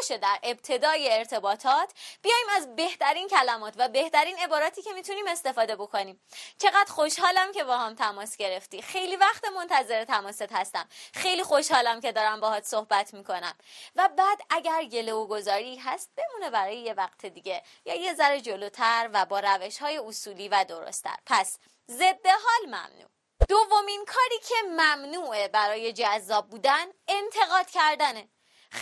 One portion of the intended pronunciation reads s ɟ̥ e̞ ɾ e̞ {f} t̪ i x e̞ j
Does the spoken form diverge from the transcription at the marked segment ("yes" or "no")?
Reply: no